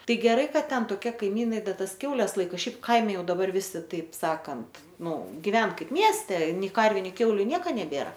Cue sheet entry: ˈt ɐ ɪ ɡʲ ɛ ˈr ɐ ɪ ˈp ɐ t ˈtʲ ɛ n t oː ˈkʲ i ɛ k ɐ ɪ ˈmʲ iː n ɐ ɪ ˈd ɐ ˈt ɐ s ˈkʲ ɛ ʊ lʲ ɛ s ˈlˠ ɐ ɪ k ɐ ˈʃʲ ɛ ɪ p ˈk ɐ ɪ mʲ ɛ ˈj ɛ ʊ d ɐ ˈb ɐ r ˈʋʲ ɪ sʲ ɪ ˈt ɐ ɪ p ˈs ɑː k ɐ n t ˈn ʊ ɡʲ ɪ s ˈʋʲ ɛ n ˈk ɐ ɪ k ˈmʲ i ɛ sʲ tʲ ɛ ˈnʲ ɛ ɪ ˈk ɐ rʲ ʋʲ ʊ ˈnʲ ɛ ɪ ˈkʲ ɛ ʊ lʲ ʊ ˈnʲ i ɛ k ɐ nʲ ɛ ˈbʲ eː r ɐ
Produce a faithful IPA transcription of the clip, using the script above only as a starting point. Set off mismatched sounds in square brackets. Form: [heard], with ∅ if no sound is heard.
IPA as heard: ˈt ɐ ɪ ɡʲ ɛ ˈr ɐ ɪ [ˈk] ɐ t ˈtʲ ɛ n t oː ˈkʲ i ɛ k ɐ ɪ ˈmʲ iː n ɐ ɪ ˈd ɐ ˈt ɐ s ˈkʲ ɛ ʊ lʲ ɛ s ˈlˠ ɐ ɪ k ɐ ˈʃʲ ɛ ɪ p ˈk ɐ ɪ mʲ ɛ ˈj ɛ ʊ d ɐ ˈb ɐ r ˈʋʲ ɪ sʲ ɪ ˈt ɐ ɪ p ˈs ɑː k ɐ n t ˈn ʊ ɡʲ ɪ [∅] ˈʋʲ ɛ n ˈk ɐ ɪ [p] ˈmʲ i ɛ sʲ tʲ ɛ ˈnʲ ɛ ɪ ˈk ɐ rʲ ʋʲ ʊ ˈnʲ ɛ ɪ ˈkʲ ɛ ʊ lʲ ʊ ˈnʲ i ɛ k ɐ nʲ ɛ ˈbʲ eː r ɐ